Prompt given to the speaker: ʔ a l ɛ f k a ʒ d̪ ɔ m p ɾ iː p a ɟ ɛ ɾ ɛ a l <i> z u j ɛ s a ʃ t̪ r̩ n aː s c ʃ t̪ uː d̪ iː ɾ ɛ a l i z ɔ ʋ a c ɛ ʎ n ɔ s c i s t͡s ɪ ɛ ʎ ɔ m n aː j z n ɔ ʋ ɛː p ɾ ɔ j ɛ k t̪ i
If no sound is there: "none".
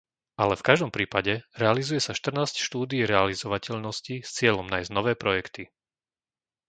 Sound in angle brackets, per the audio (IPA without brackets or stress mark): i